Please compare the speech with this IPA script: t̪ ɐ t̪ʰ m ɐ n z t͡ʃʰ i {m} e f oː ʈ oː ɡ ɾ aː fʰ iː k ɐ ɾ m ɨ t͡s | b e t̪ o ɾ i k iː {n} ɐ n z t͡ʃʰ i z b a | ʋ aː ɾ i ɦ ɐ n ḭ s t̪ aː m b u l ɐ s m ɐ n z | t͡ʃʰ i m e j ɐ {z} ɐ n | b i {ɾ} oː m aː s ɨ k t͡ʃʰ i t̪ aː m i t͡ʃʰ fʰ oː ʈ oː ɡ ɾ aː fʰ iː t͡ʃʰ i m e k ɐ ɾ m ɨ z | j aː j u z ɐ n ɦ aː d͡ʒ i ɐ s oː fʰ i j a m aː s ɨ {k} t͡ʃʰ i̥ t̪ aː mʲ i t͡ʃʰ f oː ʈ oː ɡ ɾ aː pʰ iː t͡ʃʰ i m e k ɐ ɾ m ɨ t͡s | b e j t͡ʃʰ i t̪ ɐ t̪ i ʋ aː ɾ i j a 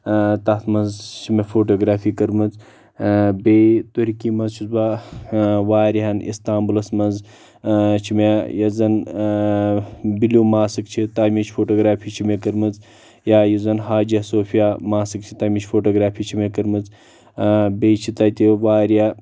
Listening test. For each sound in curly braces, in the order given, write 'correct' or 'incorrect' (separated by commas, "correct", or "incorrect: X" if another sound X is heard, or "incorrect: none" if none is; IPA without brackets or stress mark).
correct, incorrect: m, correct, incorrect: l, correct